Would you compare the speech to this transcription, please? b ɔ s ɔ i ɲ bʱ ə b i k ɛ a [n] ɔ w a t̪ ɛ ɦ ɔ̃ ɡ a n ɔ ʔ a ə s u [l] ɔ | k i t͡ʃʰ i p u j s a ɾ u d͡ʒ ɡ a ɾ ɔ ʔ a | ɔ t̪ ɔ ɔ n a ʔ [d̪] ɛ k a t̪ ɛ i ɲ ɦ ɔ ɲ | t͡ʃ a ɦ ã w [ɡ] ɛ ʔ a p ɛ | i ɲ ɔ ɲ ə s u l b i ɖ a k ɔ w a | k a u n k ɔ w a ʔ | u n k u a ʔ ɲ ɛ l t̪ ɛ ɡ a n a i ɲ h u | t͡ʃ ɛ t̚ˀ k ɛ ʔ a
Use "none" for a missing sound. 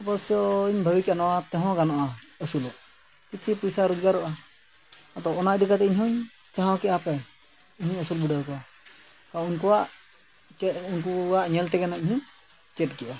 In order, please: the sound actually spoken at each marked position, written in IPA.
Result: n, l, d̪, k

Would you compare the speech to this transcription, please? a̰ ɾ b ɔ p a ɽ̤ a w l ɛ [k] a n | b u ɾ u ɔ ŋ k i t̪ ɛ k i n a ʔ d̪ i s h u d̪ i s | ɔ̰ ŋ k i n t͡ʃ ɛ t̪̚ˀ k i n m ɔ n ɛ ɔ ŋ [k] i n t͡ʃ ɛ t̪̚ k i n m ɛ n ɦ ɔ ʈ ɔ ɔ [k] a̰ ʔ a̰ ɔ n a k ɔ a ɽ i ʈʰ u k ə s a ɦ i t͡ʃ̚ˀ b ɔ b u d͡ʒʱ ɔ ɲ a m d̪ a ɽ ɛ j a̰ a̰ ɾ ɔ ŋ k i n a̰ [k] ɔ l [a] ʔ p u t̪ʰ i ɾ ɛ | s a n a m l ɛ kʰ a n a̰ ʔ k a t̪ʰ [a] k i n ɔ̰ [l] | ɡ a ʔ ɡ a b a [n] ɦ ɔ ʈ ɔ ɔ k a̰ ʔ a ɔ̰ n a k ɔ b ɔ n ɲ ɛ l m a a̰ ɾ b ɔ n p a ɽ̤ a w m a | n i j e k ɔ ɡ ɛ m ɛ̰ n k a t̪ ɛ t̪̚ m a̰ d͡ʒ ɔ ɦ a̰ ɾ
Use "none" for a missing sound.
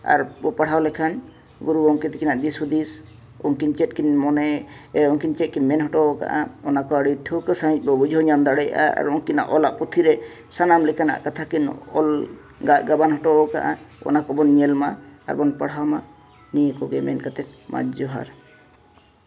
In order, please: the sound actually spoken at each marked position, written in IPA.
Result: kʰ, k, k, ʔ, a, a, l, n

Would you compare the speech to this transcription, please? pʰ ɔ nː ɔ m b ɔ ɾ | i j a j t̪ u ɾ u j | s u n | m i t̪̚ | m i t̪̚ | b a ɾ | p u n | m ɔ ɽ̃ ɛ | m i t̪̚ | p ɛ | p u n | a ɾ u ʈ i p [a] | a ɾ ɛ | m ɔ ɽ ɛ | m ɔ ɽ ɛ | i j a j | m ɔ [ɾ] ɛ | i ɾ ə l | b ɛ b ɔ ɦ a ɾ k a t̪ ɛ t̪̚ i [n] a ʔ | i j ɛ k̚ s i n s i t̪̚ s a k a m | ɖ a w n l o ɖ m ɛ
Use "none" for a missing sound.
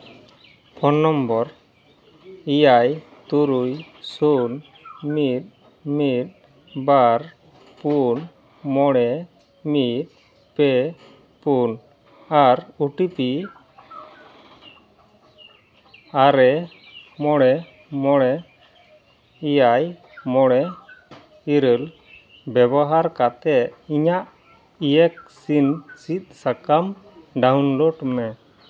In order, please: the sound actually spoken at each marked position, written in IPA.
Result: i, ɽ, ɲ

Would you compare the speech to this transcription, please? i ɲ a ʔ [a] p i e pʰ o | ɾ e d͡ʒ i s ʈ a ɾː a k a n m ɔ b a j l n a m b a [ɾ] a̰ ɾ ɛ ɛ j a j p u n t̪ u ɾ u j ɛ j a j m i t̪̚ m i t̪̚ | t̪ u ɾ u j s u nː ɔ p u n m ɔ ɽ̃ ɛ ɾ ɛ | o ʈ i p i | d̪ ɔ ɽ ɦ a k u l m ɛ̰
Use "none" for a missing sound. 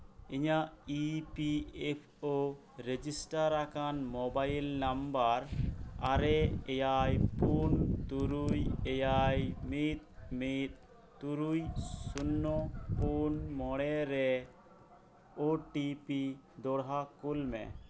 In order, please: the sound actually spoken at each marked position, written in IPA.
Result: i, ɾ

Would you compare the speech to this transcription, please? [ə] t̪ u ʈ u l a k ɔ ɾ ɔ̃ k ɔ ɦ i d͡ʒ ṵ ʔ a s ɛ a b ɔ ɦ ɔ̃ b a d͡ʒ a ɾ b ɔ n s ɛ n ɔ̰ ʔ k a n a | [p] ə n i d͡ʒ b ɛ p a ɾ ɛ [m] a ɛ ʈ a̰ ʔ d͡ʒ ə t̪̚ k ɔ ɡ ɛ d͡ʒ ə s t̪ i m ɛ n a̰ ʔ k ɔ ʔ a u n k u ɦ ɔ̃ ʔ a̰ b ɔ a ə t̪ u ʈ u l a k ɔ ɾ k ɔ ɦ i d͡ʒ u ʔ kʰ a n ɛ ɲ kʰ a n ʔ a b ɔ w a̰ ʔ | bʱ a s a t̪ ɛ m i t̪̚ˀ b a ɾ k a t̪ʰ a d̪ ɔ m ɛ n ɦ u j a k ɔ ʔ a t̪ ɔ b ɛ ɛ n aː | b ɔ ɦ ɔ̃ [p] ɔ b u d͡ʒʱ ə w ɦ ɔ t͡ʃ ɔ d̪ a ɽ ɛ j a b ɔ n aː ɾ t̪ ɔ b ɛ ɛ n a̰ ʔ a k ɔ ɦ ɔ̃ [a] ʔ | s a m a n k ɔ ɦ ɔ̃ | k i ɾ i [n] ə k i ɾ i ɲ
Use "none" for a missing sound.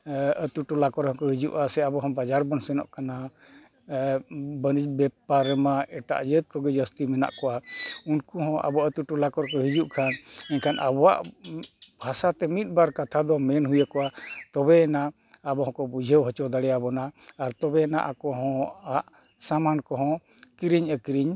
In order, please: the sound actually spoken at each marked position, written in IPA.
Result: ə, b, m, k, a, ɲ

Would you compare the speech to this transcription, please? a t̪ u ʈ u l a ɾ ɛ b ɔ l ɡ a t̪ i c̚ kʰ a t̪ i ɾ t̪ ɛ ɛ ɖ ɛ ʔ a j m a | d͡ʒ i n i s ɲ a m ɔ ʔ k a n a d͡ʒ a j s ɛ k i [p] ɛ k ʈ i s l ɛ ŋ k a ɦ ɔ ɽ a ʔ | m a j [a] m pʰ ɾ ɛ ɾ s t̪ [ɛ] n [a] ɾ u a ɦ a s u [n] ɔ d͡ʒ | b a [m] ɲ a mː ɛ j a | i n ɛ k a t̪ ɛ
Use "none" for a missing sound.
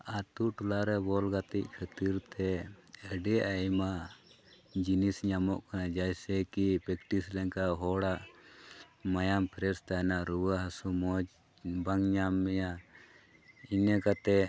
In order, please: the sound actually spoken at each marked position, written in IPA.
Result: p, a, a, a, m, ŋ

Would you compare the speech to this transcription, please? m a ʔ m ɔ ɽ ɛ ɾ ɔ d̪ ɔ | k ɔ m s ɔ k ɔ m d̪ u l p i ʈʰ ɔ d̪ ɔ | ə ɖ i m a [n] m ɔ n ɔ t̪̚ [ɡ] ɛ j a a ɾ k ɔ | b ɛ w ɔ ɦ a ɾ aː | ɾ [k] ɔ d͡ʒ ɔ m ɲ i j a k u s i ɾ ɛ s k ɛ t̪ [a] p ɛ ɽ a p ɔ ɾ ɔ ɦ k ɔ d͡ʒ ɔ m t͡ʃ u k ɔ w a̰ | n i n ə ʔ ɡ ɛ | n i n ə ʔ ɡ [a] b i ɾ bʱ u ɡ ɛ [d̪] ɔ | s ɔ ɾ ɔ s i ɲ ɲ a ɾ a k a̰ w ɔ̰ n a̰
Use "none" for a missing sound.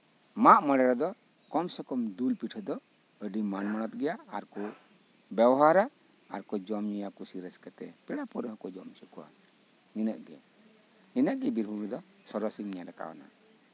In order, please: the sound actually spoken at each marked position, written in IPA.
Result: n, ɡ, k, ɛ, ɛ, d̪

